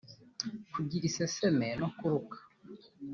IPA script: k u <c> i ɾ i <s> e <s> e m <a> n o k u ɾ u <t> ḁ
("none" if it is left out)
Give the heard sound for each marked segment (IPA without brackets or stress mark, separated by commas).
ɟ, s, s, e, k